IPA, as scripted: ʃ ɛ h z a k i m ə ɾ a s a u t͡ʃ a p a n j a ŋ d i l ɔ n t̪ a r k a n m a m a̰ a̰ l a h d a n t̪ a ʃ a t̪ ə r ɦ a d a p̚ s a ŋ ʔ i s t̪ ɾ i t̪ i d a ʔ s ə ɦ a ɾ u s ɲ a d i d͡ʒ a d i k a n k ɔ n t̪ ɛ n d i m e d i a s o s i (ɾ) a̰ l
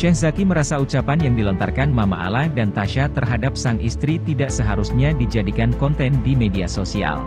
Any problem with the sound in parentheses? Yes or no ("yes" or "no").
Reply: yes